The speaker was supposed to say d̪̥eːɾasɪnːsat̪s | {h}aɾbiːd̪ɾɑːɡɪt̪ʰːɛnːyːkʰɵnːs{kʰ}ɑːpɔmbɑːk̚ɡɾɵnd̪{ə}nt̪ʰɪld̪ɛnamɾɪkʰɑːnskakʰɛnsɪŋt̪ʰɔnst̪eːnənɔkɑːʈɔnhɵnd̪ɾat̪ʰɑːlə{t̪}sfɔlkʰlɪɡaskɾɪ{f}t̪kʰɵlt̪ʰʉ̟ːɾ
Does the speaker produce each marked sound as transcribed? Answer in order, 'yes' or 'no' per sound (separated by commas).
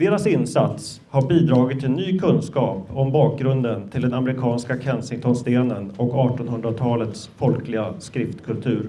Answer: yes, no, yes, yes, yes